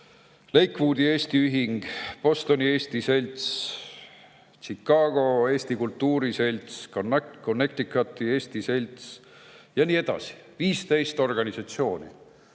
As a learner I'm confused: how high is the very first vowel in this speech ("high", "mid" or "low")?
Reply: mid